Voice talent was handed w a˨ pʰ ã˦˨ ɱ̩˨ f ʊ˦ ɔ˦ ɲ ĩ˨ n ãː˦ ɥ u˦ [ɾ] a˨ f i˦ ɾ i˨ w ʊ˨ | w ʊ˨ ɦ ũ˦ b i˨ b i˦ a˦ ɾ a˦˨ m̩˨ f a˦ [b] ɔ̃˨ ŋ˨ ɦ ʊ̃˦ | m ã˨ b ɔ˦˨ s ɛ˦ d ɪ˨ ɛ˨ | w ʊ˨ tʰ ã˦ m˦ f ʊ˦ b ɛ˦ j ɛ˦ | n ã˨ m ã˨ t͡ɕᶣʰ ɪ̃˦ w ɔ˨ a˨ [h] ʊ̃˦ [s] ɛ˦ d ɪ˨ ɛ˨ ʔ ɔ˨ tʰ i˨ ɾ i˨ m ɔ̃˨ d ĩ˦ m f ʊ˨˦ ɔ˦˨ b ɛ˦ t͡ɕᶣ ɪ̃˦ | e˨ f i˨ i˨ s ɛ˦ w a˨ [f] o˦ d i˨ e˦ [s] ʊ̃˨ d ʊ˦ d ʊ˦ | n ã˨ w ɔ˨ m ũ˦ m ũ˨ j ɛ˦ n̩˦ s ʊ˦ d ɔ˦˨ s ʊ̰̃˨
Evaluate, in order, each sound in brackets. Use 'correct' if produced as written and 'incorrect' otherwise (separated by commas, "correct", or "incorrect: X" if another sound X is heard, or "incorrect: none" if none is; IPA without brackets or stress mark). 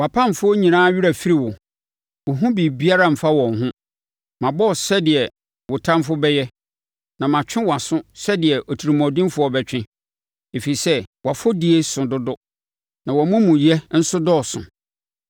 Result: correct, incorrect: w, incorrect: s, correct, correct, correct